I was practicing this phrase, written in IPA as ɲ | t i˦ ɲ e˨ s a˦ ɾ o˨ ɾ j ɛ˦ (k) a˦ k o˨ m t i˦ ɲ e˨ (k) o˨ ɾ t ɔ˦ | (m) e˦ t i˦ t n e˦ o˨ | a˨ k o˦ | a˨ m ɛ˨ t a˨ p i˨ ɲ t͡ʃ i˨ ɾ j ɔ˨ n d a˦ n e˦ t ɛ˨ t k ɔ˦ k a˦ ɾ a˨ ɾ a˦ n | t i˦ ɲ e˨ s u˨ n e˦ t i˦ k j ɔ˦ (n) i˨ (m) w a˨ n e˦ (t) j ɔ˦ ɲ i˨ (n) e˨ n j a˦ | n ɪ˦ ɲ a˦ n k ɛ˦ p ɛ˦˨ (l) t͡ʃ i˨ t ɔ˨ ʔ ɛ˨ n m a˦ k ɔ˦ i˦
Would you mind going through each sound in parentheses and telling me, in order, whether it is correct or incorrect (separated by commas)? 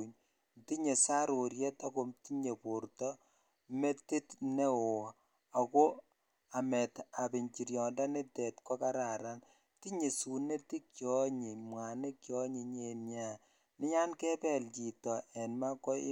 incorrect, incorrect, correct, incorrect, correct, incorrect, incorrect, correct